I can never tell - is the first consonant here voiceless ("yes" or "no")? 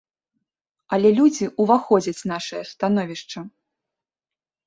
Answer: no